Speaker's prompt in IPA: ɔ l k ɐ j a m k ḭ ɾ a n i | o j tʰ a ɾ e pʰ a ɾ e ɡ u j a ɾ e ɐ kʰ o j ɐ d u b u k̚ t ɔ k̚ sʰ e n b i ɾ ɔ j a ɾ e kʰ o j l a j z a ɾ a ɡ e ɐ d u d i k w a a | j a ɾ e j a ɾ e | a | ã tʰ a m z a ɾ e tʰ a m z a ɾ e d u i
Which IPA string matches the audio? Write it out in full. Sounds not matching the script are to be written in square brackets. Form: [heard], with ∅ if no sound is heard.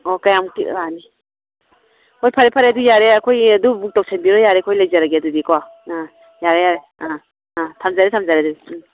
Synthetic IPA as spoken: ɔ [∅] k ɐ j a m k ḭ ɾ a n i | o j [pʰ] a ɾ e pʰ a ɾ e [d] u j a ɾ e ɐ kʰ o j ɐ d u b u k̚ t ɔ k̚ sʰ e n b i ɾ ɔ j a ɾ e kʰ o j l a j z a ɾ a ɡ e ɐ d u d i k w a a | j a ɾ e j a ɾ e | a | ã tʰ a m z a ɾ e tʰ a m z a ɾ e d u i